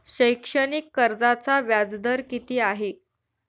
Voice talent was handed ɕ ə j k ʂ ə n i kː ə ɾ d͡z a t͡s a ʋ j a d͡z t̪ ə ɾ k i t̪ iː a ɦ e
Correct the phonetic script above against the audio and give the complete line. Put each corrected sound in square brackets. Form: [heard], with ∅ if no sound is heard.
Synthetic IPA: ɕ ə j k ʂ ə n i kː ə ɾ d͡z a t͡s a ʋ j a d͡z [d̪] ə ɾ k i t̪ iː a ɦ e